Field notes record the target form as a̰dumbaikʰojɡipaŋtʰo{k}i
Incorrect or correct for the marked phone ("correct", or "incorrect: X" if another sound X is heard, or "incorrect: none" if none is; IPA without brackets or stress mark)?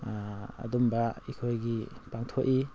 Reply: incorrect: ʔ